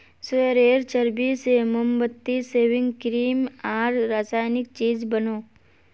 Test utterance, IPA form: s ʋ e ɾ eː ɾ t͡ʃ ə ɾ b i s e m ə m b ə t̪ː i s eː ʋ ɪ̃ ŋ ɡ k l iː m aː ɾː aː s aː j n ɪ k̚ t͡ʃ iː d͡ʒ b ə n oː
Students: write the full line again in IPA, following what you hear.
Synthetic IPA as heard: s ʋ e ɾ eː ɾ t͡ʃ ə ɾ b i s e m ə m b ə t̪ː i s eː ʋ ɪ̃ ŋ ɡ k ɾ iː m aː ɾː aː s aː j n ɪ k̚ t͡ʃ iː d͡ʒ b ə n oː